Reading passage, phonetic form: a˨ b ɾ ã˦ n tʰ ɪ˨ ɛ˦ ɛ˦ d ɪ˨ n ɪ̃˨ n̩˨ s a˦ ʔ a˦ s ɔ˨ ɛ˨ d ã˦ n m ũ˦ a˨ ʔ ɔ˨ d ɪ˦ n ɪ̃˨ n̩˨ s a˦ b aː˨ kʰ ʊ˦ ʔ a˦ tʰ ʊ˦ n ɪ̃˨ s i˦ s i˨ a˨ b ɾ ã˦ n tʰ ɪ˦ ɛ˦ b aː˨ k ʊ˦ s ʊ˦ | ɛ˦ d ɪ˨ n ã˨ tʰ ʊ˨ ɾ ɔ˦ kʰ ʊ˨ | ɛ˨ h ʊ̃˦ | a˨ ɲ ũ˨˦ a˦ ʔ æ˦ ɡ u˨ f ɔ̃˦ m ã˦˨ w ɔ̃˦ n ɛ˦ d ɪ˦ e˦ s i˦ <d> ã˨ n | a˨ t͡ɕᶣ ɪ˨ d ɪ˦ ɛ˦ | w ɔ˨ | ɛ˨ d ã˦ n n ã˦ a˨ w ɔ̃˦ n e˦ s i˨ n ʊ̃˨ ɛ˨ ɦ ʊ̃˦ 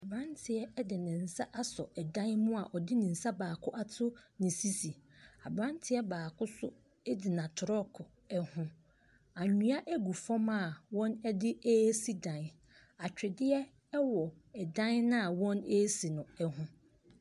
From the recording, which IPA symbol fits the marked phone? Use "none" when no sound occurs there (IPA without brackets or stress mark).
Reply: d